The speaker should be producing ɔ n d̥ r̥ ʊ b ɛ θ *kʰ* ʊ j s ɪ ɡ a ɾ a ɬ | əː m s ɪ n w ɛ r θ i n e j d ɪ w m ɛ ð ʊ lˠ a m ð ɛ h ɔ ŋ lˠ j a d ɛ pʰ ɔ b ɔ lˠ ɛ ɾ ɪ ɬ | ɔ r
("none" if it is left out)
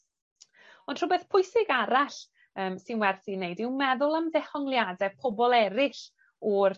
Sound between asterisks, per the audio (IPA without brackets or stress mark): pʰ